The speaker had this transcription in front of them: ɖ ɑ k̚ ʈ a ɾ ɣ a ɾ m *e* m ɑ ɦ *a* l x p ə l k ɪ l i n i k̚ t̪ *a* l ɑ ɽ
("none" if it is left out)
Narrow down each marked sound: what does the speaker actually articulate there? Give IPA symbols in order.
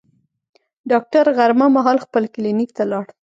a, ɑ, a

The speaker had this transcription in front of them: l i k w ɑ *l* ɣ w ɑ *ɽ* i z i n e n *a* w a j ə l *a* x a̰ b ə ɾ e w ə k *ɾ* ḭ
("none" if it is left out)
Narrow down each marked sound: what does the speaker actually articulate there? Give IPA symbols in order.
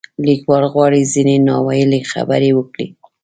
l, ɽ, ɑ, e, ɽ

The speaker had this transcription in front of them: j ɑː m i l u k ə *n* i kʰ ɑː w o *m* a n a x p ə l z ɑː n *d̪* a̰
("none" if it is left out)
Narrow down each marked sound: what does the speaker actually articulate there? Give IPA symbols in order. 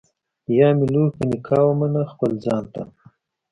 n, m, t̪

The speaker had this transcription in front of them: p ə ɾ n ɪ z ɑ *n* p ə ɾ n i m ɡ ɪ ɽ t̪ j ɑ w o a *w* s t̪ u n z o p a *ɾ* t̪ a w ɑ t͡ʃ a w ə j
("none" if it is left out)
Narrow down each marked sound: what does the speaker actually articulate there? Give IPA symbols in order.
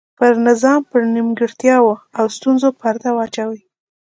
m, w, ɾ

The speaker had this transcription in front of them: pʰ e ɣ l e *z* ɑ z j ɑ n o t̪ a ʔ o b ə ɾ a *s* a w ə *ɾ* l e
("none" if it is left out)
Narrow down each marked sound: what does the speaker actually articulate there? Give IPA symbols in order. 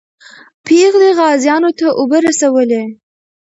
ɣ, s, none

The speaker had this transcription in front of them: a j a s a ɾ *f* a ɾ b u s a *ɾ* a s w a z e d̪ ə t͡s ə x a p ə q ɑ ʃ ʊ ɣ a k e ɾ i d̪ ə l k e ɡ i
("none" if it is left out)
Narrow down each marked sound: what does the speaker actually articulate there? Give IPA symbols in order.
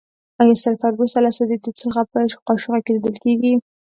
f, l

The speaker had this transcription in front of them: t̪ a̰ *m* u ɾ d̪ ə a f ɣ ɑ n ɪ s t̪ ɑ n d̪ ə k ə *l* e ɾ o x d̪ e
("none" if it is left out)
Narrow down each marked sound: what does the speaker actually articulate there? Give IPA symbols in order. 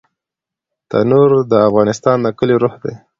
n, l

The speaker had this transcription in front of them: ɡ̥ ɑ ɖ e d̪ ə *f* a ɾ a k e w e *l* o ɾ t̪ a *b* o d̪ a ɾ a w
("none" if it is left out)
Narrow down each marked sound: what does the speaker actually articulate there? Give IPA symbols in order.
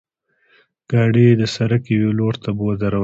s, l, b

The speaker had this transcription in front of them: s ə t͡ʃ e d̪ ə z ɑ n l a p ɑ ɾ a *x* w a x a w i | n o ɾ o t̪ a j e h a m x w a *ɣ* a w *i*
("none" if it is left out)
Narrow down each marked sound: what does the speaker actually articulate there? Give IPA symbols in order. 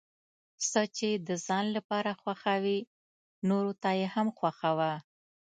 x, x, a

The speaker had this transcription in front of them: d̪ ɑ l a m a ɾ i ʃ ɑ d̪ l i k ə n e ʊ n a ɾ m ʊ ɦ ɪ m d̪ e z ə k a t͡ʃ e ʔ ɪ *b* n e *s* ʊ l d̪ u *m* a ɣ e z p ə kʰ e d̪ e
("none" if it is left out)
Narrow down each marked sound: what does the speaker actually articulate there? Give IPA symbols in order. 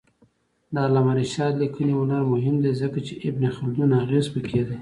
b, x, n

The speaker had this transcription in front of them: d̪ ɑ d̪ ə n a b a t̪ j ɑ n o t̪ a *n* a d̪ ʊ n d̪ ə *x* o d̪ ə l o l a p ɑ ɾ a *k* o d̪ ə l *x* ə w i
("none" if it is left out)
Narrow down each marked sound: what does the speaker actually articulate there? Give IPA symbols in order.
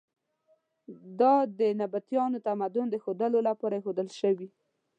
m, x, x, ʃ

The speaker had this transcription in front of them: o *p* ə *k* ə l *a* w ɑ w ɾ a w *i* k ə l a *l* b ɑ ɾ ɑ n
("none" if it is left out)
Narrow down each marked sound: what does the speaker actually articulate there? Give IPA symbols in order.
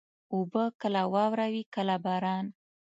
b, k, a, i, none

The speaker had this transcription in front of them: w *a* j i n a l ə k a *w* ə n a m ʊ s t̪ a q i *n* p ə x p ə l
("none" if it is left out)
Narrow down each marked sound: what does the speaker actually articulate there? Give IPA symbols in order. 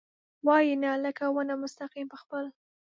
ɑ, w, m

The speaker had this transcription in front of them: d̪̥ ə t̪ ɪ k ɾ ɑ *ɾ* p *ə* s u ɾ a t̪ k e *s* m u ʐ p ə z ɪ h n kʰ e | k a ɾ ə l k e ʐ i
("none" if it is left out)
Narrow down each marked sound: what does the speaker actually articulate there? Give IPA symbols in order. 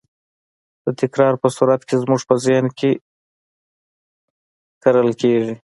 ɾ, ə, z

